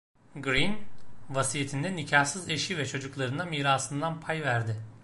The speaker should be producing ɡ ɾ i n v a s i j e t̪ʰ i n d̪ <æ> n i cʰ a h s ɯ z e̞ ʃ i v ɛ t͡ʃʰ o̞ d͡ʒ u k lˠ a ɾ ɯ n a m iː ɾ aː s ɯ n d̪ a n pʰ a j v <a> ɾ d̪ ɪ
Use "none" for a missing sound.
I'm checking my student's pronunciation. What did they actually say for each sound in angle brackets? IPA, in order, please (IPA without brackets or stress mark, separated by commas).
ɛ, æ